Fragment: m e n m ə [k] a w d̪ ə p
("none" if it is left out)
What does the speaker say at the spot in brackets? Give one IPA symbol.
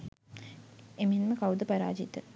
k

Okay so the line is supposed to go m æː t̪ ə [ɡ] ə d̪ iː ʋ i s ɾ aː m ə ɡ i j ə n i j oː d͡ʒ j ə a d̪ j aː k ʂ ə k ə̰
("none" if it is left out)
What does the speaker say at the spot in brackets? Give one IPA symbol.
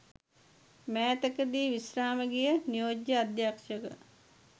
k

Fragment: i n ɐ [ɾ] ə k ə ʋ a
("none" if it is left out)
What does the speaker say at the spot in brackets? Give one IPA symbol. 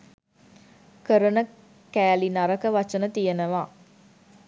ɾ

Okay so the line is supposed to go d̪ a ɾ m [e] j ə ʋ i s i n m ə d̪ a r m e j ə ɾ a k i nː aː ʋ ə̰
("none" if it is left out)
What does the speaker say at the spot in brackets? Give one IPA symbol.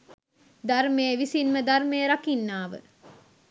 e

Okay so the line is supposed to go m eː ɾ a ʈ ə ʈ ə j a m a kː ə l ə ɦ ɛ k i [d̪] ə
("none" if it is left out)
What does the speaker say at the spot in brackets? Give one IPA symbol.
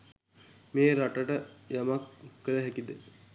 d̪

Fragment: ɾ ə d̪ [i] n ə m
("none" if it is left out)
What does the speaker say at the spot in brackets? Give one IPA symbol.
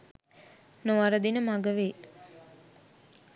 i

